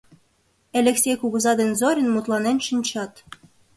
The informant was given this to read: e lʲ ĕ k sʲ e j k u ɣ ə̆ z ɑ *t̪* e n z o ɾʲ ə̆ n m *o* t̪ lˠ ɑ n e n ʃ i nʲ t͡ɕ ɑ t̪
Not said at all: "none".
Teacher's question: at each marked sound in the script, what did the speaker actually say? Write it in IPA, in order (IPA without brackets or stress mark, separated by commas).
d̪, u